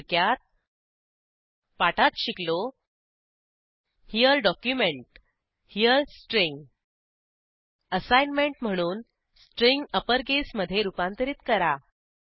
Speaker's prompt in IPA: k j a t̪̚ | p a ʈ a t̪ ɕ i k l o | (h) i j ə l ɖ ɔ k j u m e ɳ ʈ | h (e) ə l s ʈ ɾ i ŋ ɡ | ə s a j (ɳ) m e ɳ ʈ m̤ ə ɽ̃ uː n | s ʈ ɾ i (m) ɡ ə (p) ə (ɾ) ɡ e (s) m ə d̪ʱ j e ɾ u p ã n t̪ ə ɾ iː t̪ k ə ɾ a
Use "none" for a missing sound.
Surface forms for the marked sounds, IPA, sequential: h, i, n, ŋ, p, ɾ, s

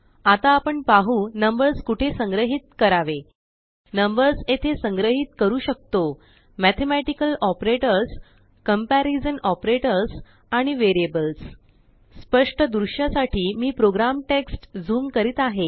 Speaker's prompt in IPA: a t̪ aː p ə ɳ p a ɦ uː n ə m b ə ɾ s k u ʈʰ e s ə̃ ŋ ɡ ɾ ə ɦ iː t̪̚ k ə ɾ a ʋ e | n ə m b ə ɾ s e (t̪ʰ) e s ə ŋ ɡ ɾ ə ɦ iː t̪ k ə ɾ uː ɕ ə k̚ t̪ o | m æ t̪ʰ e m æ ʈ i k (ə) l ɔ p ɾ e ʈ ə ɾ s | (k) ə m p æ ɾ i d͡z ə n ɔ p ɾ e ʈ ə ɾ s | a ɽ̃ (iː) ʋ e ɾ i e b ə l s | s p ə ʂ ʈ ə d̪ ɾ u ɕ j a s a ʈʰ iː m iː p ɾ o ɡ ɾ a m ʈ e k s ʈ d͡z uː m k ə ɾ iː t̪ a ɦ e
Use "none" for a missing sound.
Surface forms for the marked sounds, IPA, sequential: t̪ʰ, ə, k, i

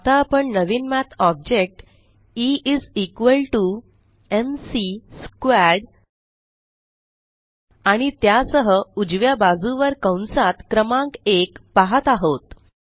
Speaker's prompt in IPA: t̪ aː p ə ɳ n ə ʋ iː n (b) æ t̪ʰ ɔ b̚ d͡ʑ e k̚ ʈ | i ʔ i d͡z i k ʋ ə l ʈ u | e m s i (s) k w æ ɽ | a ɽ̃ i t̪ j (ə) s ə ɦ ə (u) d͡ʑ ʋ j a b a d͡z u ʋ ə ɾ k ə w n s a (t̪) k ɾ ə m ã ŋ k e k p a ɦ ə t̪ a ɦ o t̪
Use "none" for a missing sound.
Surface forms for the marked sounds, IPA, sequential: m, s, a, u, t̪

